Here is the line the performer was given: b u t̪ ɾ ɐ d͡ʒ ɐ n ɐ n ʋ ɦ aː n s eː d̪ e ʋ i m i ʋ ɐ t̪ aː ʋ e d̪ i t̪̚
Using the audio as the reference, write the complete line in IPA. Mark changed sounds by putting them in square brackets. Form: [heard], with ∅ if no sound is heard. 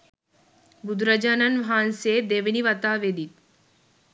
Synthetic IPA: b u [d̪] ɾ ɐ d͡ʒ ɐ n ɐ n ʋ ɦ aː n s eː d̪ e ʋ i [n] i ʋ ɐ t̪ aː ʋ e d̪ i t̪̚

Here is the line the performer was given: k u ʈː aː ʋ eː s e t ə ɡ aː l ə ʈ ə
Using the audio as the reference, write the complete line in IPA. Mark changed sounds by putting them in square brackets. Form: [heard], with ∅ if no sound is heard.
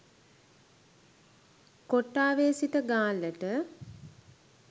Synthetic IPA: k [o] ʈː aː ʋ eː s [i] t ə ɡ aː l ə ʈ ə

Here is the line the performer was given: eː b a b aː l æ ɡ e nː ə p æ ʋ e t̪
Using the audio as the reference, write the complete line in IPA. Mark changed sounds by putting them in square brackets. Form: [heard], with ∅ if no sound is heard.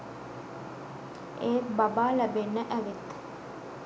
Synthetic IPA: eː b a b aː l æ [b] e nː ə [ʔ] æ ʋ e t̪

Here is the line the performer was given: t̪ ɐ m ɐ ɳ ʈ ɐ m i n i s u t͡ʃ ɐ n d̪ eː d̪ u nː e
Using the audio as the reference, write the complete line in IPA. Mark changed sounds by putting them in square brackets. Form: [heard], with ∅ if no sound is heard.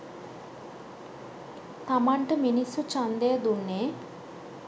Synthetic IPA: t̪ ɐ m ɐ ɳ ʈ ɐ m i n i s u t͡ʃ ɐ n d̪ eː d̪ u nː e

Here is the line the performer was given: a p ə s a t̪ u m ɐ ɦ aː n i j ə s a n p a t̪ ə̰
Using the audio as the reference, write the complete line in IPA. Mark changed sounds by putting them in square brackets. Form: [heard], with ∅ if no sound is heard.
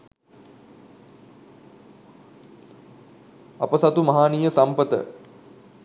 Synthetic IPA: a p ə s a t̪ u m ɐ ɦ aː n i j ə s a [m] p [ə] t̪ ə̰

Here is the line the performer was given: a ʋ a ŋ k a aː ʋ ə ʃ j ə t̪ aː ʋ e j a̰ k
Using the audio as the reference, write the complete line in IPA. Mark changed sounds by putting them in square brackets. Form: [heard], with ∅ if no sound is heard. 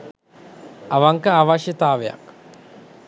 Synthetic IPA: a ʋ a ŋ k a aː ʋ [a] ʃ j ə t̪ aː ʋ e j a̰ k

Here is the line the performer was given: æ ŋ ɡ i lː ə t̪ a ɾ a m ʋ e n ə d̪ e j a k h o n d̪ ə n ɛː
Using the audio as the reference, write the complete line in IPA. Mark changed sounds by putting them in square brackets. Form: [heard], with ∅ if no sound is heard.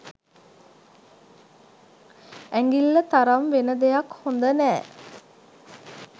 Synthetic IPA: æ ŋ ɡ i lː ə t̪ a ɾ a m ʋ e n ə d̪ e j a k h o n d̪ ə n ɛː

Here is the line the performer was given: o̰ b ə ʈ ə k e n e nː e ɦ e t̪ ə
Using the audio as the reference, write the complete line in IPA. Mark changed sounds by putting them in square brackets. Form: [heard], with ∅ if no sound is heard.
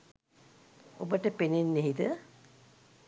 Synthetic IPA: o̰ b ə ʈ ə [p] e n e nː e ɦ [i] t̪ ə

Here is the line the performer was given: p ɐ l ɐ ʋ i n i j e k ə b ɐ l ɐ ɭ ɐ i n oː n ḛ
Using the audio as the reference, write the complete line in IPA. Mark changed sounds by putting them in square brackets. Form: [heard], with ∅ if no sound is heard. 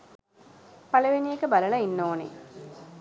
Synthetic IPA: p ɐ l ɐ ʋ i n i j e k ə b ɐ l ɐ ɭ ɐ i [nː] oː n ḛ

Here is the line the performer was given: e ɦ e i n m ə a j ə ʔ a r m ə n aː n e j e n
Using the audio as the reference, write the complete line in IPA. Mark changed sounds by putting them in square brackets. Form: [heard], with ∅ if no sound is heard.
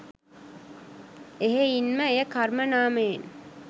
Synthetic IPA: e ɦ e i n m ə [e] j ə [k] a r m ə n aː [m] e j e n

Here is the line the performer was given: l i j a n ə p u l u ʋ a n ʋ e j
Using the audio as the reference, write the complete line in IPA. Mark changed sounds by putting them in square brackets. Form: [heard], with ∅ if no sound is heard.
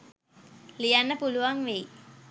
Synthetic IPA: l i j a [nː] ə p u l u ʋ a [ŋ] ʋ e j

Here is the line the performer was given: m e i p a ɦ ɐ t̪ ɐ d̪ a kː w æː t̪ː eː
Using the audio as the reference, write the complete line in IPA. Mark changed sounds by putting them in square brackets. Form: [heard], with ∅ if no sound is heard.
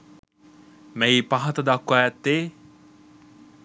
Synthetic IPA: m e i p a ɦ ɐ t̪ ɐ d̪ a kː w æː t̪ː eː

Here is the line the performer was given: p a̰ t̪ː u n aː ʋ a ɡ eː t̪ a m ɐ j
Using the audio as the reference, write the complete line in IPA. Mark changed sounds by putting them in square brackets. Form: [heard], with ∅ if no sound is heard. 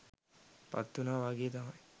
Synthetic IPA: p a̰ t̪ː u n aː ʋ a ɡ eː t̪ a m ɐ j

